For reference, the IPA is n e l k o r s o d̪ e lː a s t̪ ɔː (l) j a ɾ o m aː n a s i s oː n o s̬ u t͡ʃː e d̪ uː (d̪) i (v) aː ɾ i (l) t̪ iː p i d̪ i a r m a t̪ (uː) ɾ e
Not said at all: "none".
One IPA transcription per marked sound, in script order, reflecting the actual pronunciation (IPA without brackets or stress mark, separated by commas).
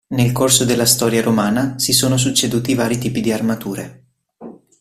ɾ, t̪, v, none, uː